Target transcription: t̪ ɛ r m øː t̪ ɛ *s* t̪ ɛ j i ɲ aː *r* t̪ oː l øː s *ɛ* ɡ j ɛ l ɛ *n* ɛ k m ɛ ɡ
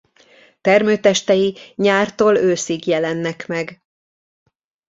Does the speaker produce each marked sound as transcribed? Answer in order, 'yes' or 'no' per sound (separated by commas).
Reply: no, yes, no, no